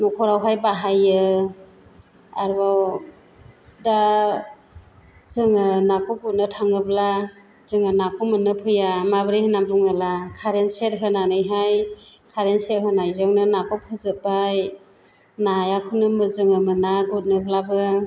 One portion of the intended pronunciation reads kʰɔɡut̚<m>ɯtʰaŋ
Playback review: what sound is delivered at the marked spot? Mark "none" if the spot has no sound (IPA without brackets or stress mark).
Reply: n